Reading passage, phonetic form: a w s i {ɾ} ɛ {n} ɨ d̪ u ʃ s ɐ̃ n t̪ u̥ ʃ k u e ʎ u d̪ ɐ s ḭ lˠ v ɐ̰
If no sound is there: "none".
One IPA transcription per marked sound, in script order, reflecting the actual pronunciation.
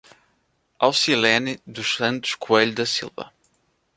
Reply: l, n

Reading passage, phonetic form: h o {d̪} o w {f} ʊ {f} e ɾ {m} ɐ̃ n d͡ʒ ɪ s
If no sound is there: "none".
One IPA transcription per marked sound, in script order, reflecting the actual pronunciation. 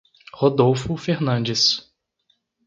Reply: d̪, f, f, n

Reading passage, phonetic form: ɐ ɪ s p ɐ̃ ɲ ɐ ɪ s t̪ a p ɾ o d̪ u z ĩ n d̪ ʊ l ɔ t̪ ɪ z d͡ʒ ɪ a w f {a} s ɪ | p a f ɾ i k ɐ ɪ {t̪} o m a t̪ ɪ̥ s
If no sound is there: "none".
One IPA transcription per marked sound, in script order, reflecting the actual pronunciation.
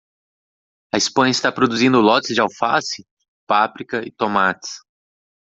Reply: a, t̪

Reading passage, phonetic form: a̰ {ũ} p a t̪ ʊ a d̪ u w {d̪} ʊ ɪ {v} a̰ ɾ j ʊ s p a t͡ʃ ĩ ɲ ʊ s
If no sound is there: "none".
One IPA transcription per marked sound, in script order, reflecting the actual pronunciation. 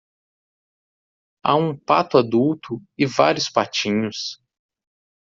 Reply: ũ, t̪, v

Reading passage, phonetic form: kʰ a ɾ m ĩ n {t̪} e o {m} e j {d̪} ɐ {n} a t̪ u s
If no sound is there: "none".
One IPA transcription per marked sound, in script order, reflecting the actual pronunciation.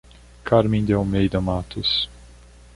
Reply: d̪, m, d̪, m

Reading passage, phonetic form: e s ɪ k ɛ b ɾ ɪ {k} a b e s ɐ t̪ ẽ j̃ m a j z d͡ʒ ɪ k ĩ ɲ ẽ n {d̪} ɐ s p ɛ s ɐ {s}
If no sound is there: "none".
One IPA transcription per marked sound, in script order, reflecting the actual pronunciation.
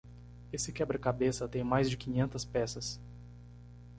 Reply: k, t̪, s

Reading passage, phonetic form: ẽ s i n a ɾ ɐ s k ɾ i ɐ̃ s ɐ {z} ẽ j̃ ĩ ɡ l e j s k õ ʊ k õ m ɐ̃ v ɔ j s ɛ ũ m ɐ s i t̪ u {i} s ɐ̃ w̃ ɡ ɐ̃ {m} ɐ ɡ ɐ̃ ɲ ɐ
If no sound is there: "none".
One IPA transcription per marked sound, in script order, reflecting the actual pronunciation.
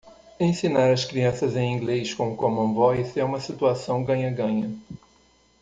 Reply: z, a, ɲ

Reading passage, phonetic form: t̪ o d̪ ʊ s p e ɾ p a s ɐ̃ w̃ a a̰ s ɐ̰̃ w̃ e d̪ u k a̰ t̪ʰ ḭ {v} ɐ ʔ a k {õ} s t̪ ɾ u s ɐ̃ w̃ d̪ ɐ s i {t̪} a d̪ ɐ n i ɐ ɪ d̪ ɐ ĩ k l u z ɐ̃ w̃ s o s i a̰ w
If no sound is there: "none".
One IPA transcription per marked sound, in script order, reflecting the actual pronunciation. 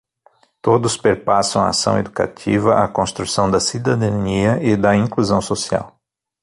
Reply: v, õ, d̪

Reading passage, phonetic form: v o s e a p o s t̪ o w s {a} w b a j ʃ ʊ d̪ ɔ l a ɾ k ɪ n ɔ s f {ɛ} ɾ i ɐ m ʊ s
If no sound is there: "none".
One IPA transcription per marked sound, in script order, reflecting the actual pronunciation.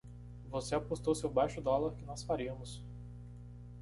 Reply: e, a

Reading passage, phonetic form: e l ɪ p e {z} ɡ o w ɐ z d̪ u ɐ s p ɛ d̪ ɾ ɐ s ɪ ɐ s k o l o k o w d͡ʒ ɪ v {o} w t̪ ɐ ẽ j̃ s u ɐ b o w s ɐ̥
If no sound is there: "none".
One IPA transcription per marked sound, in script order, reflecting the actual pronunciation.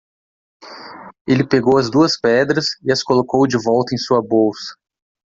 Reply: none, ɔ

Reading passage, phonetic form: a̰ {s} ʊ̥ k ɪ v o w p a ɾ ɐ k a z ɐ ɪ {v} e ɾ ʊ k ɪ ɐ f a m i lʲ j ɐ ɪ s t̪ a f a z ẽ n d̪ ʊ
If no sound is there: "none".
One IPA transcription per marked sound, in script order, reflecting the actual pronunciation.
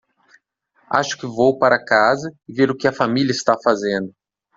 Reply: ʃ, v

